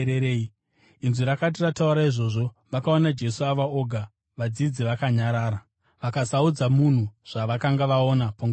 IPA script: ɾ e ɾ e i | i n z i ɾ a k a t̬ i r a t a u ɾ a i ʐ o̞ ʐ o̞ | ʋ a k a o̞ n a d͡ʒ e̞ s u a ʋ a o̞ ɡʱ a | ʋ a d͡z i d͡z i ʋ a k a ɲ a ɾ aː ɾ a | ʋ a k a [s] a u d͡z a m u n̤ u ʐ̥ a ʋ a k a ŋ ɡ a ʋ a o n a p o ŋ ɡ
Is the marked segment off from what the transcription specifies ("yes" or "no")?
no